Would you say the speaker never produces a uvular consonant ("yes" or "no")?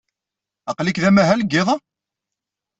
no